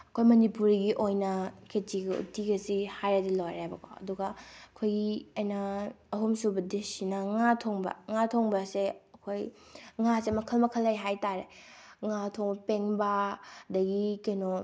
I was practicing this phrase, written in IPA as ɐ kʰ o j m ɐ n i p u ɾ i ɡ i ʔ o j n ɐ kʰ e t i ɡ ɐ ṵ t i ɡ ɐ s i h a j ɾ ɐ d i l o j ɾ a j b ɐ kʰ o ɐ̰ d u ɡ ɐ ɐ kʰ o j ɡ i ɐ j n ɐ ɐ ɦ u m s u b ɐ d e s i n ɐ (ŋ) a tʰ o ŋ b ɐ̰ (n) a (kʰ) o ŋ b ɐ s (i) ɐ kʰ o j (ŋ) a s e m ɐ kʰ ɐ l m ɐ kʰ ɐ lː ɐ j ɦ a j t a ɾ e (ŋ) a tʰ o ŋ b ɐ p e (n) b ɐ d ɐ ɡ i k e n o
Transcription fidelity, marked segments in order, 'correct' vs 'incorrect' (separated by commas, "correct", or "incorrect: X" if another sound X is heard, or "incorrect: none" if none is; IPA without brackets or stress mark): correct, incorrect: ŋ, incorrect: tʰ, incorrect: e, correct, correct, incorrect: ŋ